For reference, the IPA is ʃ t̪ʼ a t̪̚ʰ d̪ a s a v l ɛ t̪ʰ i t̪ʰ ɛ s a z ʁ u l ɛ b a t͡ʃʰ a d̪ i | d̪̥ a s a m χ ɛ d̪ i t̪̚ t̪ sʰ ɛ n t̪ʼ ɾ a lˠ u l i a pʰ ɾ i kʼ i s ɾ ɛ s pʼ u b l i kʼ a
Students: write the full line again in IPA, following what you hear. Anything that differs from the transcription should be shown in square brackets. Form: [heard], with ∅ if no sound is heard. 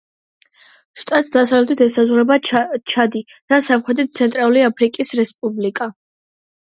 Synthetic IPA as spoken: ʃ t̪ʼ a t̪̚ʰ d̪ a s a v l ɛ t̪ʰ i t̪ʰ ɛ s a z ʁ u [ɾ] ɛ b a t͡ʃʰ a d̪ i | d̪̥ a s a m χ ɛ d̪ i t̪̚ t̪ sʰ ɛ n t̪ʼ ɾ a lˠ u l i a pʰ ɾ i kʼ i s ɾ ɛ s pʼ u b l i kʼ a